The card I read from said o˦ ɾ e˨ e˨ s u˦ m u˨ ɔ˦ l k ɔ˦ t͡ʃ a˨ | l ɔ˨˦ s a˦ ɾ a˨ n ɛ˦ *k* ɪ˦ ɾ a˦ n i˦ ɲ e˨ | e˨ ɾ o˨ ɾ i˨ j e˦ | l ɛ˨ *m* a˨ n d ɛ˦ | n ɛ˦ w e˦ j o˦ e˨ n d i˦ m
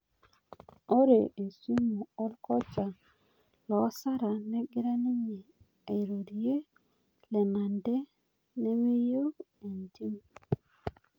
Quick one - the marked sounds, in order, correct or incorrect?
incorrect, correct

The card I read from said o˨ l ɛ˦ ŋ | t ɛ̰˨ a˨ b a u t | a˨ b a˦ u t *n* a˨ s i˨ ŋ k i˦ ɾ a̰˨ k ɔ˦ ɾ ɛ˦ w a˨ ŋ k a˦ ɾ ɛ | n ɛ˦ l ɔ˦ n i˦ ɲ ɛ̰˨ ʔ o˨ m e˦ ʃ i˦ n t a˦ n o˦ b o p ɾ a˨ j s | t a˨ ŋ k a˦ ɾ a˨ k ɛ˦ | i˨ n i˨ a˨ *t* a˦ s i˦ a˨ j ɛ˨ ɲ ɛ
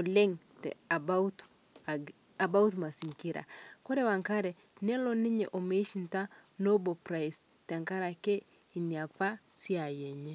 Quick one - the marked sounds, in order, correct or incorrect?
incorrect, incorrect

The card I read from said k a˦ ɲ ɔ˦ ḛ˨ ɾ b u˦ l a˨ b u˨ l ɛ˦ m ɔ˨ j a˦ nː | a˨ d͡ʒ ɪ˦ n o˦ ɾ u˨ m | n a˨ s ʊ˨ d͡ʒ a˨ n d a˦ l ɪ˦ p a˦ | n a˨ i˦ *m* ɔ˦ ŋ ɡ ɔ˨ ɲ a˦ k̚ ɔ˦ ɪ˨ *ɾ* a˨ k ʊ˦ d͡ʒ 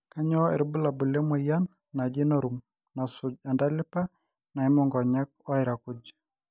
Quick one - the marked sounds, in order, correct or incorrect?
correct, correct

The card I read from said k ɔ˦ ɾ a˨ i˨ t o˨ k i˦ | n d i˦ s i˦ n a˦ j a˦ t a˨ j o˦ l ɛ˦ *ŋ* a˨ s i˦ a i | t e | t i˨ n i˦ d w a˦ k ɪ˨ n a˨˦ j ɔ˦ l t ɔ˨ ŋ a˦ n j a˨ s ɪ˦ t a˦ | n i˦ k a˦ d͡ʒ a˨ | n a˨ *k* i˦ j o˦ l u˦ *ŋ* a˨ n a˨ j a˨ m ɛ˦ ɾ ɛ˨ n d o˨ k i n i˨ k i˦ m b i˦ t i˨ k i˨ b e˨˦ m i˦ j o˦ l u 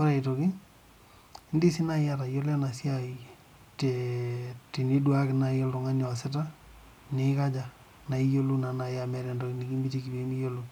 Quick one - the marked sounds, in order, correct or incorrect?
incorrect, incorrect, incorrect

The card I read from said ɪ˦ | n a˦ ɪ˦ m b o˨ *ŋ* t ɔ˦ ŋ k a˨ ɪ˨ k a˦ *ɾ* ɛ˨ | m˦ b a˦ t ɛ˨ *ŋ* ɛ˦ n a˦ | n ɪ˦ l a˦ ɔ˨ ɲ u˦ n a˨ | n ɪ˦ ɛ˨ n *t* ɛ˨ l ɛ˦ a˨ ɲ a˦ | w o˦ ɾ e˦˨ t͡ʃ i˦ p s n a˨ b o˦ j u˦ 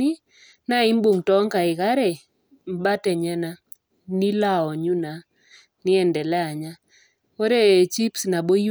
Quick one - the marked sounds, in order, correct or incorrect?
correct, correct, incorrect, incorrect

